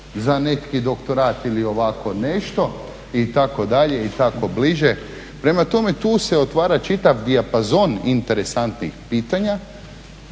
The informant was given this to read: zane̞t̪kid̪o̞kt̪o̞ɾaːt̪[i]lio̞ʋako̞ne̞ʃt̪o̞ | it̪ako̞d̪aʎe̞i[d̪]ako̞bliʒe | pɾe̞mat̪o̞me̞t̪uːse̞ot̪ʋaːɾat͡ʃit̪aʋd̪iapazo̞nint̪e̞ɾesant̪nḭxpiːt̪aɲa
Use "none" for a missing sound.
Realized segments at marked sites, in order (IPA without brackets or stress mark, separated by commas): i, t̪